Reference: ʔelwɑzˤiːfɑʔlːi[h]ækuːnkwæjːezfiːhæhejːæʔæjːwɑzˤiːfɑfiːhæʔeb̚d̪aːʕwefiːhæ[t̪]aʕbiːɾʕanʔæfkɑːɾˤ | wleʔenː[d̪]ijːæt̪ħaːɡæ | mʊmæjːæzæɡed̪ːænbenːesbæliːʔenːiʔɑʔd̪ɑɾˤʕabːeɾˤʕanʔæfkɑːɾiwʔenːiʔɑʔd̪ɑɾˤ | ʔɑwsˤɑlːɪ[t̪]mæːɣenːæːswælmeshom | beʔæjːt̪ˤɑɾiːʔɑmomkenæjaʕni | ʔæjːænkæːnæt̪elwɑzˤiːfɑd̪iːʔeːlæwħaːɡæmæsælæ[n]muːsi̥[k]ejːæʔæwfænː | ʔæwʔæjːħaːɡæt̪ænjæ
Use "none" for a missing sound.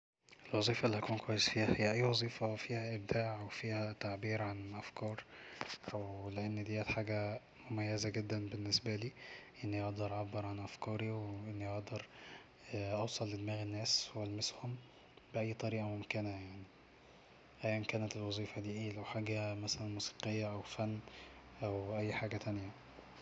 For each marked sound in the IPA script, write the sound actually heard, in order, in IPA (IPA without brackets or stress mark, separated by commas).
h, t̪, d̪, d̪, n, q